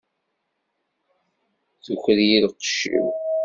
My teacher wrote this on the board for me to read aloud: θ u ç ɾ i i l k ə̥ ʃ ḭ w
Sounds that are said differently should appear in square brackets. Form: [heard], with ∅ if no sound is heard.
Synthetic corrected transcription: θ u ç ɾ [j] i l [q] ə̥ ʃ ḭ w

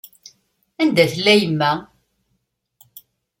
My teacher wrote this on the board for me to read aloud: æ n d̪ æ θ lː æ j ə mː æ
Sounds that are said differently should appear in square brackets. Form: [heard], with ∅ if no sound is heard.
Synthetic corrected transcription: æ n d̪ æ θ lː æ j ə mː æ

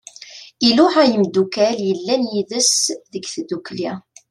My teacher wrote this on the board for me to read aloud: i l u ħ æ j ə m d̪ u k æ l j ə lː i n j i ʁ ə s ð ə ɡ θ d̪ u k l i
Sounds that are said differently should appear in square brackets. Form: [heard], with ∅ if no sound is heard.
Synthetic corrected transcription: i l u ħ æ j ə m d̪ u k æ l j ə lː [æ] n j i [ð] ə s ð ə ɡ θ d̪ u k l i

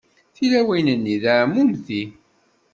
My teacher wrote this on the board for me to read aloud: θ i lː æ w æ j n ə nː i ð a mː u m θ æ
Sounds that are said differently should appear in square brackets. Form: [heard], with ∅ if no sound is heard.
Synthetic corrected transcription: θ i [l] æ w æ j n ə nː i ð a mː u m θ [i]

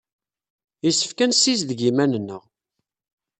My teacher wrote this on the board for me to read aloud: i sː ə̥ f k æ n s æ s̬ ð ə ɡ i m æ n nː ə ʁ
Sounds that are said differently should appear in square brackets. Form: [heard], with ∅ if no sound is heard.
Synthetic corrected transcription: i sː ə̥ f k æ n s [i] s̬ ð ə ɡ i m æ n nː ə ʁ

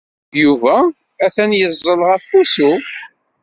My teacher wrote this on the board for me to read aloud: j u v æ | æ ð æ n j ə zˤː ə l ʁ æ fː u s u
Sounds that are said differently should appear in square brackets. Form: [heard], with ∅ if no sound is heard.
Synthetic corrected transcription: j u v æ | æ [θ] æ n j ə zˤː ə l ʁ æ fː u s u

